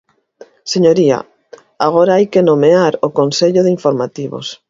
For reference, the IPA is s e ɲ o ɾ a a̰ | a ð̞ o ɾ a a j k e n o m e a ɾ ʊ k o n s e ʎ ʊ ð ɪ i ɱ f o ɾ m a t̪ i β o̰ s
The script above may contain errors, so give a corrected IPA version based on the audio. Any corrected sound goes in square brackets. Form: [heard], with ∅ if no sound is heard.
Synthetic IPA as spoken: s e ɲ o ɾ [i] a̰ | a [ɣ̞] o ɾ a a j k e n o m e a ɾ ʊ k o n s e ʎ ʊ ð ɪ i ɱ f o ɾ m a t̪ i β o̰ s